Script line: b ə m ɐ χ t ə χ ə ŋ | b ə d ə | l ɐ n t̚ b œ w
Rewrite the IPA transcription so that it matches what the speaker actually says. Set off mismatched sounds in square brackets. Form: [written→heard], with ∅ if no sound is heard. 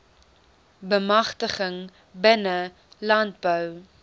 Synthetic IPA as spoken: b ə m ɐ χ t ə χ ə ŋ | b ə [d→n] ə | l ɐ n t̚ b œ w